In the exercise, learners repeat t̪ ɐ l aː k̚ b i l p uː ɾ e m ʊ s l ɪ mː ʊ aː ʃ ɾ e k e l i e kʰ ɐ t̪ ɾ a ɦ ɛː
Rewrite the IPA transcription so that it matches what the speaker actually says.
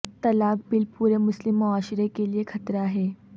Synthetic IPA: t̪ ɐ l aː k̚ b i l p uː ɾ e m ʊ s l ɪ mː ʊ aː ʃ ɾ e k e l i e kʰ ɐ t̪ ɾ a ɦ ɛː